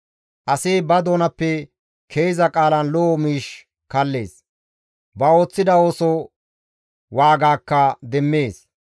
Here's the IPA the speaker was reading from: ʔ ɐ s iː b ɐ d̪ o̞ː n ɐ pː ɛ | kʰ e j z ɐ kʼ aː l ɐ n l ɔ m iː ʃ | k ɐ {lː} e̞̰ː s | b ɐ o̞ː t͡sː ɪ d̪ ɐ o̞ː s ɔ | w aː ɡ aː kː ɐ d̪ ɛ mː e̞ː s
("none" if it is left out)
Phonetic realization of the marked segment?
lː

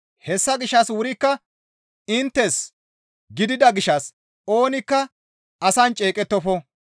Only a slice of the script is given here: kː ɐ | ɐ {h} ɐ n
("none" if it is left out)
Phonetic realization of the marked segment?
s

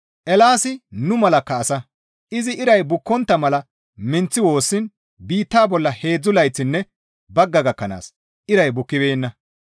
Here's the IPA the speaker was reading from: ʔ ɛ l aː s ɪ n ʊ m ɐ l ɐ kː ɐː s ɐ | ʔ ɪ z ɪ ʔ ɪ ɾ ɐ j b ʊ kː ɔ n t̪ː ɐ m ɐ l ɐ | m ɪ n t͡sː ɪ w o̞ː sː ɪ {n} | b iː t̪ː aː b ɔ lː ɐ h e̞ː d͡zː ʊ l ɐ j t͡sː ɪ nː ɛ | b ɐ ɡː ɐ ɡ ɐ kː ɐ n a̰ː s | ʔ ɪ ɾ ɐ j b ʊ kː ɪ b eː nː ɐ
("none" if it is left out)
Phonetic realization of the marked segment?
n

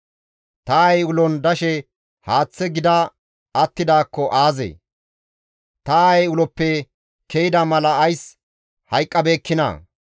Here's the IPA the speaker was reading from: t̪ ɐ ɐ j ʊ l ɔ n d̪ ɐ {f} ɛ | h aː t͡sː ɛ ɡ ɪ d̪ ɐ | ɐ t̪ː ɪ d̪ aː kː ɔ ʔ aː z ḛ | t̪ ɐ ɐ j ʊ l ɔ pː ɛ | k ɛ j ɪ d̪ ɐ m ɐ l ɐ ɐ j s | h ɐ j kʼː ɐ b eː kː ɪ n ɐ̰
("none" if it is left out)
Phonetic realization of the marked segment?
ʃ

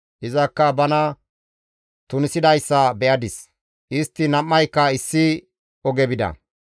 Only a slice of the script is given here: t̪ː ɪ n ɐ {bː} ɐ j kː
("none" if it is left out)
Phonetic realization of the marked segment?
mː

